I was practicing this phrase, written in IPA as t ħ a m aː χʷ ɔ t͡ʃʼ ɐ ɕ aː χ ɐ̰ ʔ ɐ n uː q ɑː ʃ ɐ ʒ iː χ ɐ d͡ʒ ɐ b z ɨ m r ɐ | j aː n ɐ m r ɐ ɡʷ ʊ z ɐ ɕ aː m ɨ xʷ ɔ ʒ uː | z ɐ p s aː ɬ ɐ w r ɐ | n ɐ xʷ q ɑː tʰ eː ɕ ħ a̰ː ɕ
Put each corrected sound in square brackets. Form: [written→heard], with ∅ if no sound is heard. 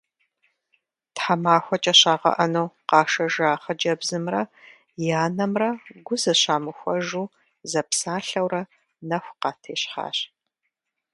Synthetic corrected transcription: t ħ a m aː [χʷ→xʷ] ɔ t͡ʃʼ ɐ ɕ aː [χ→ʁ] ɐ̰ ʔ ɐ n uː q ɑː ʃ ɐ ʒ [iː→aː] χ ɐ d͡ʒ ɐ b z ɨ m r ɐ | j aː n ɐ m r ɐ ɡʷ ʊ z ɐ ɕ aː m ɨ xʷ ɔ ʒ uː | z ɐ p s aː ɬ ɐ w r ɐ | n ɐ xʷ q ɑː tʰ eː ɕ ħ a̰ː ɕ